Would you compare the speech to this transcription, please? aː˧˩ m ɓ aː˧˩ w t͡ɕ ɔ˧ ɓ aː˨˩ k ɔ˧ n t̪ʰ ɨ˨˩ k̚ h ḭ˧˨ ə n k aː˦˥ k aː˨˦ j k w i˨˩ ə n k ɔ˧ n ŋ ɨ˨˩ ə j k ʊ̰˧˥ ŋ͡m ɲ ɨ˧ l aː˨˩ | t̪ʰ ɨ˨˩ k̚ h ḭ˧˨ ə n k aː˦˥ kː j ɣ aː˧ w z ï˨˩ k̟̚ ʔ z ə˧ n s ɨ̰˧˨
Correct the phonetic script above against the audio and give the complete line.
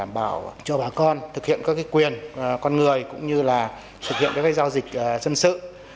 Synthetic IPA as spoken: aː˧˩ m ɓ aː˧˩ w t͡ɕ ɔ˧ ɓ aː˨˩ k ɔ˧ n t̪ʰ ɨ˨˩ k̚ h ḭ˧˨ ə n k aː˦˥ k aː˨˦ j k w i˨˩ ə n k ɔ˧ n ŋ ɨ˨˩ ə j k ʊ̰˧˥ ŋ͡m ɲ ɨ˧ l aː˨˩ | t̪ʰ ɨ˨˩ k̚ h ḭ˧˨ ə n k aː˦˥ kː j z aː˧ w z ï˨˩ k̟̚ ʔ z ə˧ n s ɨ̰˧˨